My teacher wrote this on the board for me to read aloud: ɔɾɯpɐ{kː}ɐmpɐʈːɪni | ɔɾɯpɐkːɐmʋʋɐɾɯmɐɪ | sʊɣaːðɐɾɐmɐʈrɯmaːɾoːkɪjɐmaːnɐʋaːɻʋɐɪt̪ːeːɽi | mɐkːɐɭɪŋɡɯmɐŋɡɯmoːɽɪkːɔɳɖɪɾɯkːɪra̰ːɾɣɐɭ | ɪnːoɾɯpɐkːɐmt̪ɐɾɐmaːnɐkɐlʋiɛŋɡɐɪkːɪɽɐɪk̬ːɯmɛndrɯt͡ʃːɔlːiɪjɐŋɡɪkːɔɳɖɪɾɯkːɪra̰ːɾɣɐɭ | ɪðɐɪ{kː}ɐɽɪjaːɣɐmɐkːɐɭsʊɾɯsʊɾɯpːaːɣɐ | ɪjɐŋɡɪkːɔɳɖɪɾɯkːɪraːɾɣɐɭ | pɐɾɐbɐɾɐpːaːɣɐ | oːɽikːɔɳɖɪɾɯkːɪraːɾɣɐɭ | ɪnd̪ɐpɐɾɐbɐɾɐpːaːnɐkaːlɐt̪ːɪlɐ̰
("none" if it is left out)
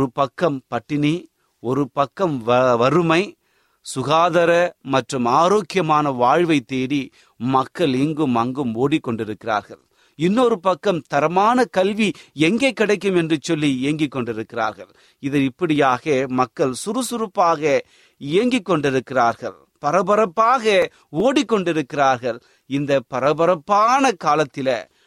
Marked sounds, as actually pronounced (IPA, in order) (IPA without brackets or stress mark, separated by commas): kː, pː